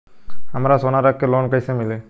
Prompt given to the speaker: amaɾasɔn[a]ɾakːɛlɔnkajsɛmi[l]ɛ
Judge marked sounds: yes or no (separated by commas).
yes, yes